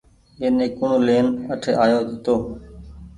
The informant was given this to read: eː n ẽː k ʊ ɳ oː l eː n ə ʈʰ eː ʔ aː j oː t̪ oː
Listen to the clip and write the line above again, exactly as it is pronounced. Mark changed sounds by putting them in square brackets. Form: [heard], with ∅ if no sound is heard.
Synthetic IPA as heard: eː n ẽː k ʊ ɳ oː l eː n ə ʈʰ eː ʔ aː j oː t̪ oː

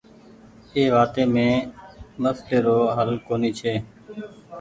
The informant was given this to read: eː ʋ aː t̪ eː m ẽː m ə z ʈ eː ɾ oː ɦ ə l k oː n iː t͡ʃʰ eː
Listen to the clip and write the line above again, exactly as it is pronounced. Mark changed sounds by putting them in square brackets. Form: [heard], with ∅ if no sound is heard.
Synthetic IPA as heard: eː ʋ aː t̪ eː m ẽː m ə [s] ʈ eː ɾ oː ɦ ə l k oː n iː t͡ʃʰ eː

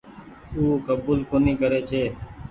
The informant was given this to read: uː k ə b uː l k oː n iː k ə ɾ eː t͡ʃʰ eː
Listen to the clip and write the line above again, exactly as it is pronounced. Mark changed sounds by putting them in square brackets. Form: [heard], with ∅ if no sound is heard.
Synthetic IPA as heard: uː k ə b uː l k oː n iː k ə ɾ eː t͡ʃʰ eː

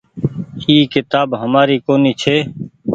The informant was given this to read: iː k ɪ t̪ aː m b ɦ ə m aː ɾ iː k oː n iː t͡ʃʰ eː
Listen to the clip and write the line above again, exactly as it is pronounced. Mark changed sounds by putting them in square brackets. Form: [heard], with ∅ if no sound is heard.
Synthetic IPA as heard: iː k ɪ t̪ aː [∅] b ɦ ə m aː ɾ iː k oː n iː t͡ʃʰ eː

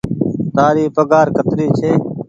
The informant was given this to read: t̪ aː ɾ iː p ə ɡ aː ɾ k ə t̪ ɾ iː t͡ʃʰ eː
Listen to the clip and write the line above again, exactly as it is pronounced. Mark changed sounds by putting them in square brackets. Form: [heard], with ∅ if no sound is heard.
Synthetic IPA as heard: t̪ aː ɾ iː p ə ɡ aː ɾ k ə t̪ ɾ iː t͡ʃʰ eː

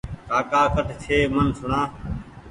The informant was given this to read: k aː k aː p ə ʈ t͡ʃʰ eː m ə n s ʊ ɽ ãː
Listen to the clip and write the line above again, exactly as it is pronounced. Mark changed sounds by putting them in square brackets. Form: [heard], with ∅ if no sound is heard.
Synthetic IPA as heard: k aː k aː [k] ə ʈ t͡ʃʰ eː m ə n s ʊ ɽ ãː

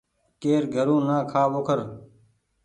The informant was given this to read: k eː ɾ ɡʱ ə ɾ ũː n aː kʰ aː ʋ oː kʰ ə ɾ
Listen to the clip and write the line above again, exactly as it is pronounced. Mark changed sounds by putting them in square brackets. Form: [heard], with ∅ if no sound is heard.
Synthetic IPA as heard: k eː ɾ ɡʱ ə ɾ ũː n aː kʰ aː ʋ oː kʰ ə ɾ

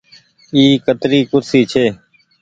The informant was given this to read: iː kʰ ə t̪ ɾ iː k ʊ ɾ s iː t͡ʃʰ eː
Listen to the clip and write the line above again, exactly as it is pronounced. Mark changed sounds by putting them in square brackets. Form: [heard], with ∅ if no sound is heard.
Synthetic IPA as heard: iː [k] ə t̪ ɾ iː k ʊ ɾ s iː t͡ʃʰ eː

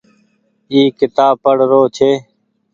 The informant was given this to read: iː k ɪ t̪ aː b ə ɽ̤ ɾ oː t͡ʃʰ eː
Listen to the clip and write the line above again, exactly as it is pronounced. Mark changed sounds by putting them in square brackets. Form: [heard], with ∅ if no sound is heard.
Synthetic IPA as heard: iː k ɪ t̪ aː [p] ə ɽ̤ ɾ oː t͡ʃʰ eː

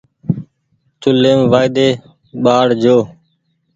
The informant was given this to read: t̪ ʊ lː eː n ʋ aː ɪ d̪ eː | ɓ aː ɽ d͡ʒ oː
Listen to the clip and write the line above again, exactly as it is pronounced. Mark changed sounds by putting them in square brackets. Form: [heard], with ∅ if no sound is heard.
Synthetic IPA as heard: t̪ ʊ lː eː [m] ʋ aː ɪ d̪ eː | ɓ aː ɽ d͡ʒ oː

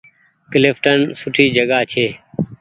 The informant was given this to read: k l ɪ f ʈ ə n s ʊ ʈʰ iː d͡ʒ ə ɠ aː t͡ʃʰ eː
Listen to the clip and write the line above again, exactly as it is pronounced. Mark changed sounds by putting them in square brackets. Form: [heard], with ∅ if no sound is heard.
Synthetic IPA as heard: k l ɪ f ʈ ə n s ʊ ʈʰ iː d͡ʒ ə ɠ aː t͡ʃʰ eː

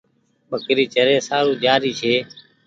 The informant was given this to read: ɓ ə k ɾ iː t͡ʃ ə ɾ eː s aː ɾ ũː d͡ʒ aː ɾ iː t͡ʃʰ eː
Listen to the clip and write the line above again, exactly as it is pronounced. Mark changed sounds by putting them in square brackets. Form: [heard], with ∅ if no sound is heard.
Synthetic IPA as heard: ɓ ə k ɾ iː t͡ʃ ə ɾ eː s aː ɾ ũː d͡ʒ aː ɾ iː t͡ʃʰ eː

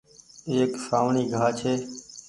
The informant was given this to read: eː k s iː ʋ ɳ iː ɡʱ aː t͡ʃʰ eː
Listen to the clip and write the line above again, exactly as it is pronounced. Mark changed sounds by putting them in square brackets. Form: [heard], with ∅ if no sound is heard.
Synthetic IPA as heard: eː k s [aː] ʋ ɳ iː ɡʱ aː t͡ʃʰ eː

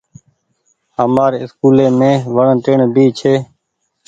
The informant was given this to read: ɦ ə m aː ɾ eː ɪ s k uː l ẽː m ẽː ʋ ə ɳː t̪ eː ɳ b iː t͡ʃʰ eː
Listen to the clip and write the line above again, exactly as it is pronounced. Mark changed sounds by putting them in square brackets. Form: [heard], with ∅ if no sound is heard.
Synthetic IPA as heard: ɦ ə m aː ɾ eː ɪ s k uː l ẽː m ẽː ʋ ə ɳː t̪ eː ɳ b iː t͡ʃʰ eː

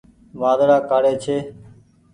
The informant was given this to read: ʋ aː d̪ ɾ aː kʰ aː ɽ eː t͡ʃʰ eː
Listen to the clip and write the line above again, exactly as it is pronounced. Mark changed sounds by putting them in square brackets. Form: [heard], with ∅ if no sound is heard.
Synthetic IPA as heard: ʋ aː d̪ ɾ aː [k] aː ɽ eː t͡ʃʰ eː

